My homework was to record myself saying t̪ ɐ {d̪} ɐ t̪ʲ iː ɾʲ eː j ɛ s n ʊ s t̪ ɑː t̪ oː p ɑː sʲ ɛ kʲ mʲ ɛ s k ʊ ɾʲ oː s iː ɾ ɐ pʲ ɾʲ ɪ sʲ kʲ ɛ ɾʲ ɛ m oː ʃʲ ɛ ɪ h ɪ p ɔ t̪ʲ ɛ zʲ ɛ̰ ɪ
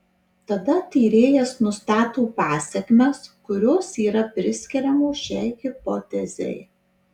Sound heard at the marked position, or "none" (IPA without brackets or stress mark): d̪